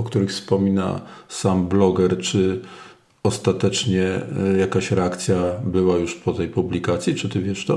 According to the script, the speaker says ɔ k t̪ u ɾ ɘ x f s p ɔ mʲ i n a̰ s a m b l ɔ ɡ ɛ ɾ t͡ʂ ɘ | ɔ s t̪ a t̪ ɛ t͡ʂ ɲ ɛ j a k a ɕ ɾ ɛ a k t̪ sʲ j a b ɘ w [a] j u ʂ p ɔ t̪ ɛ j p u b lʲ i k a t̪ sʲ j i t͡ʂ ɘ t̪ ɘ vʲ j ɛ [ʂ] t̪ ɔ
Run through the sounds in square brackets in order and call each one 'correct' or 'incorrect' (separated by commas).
correct, correct